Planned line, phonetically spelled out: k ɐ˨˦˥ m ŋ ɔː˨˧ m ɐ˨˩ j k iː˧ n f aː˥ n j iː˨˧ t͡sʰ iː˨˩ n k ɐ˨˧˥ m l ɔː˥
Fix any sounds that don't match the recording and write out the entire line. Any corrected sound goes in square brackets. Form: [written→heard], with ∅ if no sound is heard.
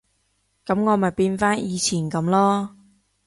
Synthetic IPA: k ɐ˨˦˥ m ŋ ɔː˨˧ m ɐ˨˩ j [k→p] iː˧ n f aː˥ n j iː˨˧ t͡sʰ iː˨˩ n k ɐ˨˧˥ m l ɔː˥